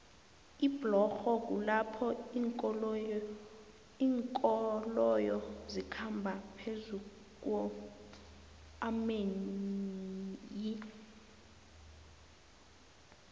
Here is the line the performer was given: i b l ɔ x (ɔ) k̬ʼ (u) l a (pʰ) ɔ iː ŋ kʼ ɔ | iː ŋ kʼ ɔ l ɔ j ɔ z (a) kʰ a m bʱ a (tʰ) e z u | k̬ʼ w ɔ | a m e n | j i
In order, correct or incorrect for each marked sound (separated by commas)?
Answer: correct, correct, correct, incorrect, incorrect